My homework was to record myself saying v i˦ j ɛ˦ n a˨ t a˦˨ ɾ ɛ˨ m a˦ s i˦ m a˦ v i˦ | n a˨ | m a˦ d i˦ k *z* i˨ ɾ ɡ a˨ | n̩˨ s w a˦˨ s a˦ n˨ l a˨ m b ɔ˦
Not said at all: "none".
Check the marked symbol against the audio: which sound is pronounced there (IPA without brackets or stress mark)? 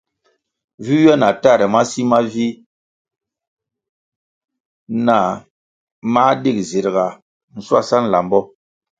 z